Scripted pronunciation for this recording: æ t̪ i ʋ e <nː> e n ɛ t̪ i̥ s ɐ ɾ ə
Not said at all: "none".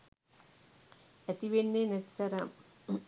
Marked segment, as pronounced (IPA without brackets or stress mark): nː